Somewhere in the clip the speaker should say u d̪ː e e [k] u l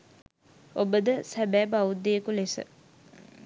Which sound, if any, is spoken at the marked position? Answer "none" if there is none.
k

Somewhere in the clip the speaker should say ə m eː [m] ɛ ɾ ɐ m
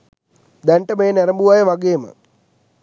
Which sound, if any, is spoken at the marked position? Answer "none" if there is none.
n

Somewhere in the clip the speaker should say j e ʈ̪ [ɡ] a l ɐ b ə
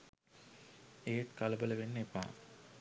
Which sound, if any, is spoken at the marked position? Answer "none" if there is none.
k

